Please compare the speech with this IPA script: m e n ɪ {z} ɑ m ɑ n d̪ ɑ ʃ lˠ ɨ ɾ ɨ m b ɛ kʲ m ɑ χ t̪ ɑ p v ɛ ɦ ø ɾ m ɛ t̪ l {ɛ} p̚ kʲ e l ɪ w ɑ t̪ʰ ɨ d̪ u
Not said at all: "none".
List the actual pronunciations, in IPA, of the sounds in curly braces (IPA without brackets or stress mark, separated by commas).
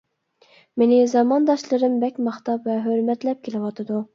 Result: z, ɛ